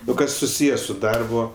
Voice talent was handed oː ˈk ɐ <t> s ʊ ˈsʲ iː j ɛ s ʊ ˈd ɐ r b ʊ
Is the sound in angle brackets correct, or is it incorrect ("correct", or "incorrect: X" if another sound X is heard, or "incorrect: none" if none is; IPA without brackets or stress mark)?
incorrect: s